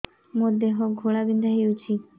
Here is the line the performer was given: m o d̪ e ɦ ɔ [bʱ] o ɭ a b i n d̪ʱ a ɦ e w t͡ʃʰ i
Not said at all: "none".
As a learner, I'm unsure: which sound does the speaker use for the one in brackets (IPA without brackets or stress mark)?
ɡʱ